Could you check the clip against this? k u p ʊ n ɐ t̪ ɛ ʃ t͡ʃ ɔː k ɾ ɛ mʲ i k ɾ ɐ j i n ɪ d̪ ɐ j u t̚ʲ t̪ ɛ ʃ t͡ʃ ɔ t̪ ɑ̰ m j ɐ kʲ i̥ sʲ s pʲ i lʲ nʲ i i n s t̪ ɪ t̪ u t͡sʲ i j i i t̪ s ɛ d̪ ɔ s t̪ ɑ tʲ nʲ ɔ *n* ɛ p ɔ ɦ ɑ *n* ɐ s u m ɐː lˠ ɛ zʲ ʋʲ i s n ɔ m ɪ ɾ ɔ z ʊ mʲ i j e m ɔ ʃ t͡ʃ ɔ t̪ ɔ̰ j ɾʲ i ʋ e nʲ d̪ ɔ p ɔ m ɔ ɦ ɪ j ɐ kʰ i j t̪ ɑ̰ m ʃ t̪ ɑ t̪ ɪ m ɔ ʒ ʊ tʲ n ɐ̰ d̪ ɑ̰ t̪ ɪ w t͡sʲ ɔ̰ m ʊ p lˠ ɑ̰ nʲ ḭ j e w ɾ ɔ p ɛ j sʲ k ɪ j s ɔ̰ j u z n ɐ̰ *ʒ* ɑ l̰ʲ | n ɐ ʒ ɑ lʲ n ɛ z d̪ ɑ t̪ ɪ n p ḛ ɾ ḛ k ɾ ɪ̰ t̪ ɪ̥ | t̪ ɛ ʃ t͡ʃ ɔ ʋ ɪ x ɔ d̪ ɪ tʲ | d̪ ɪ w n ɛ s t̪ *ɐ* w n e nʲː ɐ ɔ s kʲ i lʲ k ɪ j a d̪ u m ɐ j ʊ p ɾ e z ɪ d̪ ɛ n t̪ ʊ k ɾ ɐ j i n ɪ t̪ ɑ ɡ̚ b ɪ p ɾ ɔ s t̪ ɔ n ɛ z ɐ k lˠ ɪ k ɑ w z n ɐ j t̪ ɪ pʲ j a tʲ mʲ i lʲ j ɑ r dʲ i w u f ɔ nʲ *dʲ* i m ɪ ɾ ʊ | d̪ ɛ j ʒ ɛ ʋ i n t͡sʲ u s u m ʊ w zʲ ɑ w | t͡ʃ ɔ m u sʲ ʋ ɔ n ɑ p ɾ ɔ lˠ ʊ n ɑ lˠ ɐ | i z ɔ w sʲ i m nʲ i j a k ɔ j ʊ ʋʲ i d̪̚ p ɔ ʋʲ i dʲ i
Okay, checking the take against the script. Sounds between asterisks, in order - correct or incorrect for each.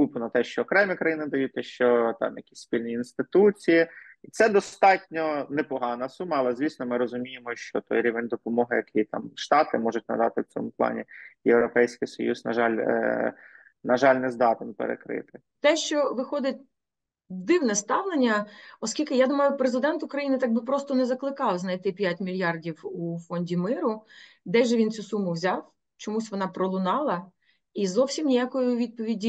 correct, correct, correct, incorrect, correct

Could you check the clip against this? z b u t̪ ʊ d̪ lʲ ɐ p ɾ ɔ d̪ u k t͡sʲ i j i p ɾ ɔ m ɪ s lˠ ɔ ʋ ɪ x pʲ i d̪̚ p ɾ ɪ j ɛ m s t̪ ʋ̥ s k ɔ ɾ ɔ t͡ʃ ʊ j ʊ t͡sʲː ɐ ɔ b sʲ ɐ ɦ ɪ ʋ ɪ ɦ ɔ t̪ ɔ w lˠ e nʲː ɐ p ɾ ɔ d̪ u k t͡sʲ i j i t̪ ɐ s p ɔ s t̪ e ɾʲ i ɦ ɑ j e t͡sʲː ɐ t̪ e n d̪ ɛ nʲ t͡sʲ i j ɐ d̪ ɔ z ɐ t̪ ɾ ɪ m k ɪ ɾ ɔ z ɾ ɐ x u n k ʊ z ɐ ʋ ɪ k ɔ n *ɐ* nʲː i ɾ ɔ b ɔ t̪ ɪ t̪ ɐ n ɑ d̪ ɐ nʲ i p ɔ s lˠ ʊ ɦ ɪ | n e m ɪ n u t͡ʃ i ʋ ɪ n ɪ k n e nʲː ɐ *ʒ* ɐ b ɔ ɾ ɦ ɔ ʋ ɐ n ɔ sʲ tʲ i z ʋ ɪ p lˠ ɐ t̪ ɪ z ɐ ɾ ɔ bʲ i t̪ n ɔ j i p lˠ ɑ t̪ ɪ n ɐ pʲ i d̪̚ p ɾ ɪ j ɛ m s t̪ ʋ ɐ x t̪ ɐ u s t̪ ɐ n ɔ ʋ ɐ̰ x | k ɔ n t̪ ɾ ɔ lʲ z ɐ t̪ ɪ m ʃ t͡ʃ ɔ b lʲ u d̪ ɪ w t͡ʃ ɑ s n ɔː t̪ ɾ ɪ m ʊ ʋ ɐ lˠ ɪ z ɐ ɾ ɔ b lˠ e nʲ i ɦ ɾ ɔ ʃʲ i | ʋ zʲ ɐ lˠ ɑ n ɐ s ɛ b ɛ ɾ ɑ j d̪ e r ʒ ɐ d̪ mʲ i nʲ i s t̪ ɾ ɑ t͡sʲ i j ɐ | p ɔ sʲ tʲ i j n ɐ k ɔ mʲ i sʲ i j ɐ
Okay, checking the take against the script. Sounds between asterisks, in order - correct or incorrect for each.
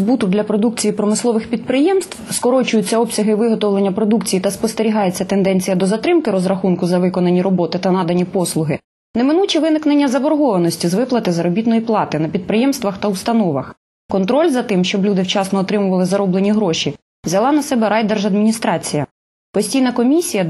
correct, incorrect

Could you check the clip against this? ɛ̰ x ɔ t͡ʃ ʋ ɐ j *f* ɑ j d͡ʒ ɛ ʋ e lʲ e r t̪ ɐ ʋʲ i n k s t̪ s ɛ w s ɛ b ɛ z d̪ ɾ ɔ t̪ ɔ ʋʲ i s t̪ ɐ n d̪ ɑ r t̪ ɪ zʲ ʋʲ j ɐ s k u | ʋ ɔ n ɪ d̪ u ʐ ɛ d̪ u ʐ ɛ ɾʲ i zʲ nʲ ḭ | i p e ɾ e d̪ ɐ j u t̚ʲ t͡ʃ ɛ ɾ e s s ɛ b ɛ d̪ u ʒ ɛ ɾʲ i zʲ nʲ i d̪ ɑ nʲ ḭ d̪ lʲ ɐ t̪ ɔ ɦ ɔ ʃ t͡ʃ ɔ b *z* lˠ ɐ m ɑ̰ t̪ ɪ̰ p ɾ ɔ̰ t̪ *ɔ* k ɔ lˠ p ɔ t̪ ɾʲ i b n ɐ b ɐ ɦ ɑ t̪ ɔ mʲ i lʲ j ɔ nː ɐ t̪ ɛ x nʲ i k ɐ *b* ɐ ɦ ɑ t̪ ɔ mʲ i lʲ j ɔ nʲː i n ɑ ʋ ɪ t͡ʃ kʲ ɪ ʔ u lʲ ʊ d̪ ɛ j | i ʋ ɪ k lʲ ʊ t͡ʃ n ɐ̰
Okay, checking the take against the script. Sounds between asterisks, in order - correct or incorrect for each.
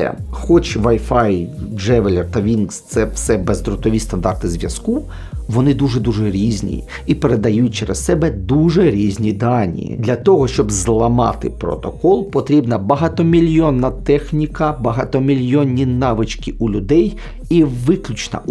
correct, correct, correct, correct

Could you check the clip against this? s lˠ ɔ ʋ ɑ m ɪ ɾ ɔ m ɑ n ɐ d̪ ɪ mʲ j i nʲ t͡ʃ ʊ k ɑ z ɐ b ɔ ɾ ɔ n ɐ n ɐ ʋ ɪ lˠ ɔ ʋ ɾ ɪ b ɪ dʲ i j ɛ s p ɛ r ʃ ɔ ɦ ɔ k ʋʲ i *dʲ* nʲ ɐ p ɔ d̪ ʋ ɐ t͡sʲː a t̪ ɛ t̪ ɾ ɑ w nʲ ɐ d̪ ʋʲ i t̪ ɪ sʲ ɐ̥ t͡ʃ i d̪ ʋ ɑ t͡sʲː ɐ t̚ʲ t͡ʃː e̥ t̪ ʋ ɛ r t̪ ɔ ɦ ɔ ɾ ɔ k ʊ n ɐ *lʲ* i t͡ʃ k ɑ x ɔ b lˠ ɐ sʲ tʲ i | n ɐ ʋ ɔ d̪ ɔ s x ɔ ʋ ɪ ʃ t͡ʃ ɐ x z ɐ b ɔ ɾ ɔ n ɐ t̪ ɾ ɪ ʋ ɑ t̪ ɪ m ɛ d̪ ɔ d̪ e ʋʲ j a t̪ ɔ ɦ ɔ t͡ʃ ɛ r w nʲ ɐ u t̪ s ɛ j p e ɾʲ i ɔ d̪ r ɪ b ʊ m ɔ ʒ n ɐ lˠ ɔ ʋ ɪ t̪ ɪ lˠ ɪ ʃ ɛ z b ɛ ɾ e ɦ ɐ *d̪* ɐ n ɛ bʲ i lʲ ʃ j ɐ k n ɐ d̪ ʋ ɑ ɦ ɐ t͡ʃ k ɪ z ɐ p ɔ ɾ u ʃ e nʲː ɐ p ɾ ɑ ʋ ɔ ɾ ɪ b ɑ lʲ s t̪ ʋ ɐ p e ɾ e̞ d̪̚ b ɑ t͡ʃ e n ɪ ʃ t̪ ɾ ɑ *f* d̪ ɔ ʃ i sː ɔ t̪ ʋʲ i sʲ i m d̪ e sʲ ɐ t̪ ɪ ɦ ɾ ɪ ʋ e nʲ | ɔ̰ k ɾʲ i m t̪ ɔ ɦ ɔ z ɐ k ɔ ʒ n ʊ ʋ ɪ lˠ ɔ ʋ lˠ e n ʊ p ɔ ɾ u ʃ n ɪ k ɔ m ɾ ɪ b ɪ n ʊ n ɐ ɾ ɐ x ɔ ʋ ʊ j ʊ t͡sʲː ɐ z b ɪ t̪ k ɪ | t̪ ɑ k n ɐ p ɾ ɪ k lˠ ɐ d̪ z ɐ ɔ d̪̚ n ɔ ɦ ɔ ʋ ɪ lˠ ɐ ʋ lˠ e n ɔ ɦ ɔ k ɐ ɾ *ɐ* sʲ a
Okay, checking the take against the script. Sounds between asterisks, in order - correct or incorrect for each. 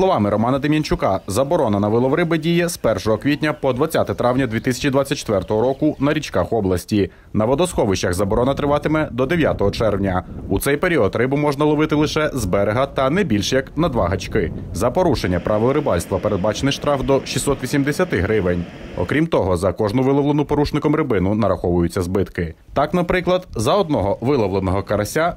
incorrect, incorrect, incorrect, correct, correct

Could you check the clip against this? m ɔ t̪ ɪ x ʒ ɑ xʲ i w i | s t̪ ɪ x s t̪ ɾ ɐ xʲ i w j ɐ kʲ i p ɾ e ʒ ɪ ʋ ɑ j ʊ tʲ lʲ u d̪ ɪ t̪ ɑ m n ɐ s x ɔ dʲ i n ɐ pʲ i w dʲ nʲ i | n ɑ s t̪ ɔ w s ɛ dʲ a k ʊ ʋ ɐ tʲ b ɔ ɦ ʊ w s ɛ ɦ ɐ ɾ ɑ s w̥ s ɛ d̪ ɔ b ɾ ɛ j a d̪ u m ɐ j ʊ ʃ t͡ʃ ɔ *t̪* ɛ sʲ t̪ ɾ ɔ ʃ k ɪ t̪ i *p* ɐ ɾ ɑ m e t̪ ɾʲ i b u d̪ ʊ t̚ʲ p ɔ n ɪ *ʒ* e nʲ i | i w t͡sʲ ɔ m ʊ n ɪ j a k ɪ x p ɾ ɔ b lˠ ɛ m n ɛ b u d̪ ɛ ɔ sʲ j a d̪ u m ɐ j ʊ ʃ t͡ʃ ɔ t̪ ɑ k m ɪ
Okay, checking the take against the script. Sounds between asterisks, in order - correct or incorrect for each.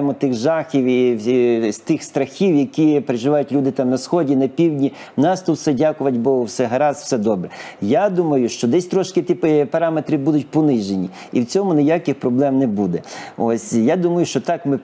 incorrect, correct, correct

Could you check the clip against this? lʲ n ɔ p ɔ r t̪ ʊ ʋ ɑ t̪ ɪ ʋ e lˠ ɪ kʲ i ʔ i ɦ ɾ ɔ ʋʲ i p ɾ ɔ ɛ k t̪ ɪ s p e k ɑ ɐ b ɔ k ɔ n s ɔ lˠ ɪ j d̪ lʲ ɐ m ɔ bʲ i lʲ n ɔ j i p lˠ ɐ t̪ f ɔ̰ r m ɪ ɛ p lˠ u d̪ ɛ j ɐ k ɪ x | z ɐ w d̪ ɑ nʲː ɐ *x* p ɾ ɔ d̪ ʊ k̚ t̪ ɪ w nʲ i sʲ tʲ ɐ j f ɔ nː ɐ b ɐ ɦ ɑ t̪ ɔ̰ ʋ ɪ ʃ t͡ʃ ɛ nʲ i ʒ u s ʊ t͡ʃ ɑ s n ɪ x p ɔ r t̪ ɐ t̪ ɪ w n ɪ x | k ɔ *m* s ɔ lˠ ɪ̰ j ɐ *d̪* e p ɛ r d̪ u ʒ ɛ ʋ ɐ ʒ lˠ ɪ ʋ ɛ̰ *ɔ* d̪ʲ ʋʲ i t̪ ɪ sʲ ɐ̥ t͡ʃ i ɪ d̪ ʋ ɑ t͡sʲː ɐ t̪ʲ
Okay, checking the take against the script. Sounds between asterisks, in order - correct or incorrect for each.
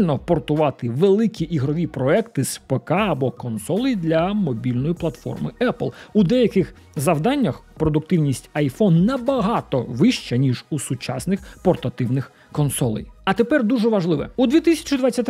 correct, incorrect, incorrect, incorrect

